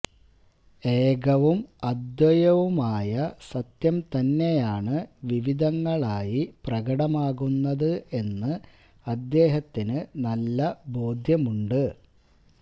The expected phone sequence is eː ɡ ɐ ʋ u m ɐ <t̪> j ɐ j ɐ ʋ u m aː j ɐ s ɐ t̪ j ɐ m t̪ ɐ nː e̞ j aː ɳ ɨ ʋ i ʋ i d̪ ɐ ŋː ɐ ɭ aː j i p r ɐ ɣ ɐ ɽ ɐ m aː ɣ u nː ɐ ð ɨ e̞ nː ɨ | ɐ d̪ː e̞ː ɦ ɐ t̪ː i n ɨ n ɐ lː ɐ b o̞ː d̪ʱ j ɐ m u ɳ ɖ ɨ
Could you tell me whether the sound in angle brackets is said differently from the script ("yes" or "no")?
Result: yes